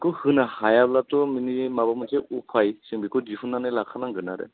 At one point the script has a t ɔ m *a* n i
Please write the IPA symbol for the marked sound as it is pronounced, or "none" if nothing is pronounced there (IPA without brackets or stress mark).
i